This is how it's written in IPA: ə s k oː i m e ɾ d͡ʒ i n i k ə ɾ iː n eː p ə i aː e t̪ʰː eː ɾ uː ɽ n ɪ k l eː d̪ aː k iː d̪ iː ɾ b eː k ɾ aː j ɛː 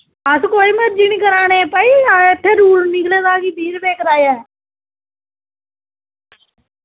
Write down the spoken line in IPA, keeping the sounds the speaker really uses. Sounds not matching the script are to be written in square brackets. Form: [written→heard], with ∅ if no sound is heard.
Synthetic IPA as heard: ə s k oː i m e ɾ d͡ʒ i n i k ə ɾ [iː→aː] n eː p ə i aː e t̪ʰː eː ɾ uː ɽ n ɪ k l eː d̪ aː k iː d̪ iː ɾ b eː k ɾ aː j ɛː